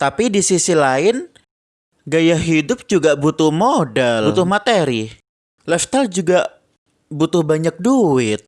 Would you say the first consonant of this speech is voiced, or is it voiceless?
voiceless